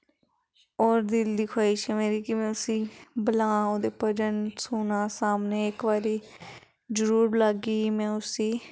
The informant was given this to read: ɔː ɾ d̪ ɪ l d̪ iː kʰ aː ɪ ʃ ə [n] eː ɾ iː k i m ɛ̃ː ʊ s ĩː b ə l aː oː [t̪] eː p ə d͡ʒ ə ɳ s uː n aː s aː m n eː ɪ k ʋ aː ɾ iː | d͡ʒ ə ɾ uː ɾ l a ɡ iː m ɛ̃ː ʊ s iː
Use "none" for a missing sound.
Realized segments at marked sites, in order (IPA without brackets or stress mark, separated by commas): m, d̪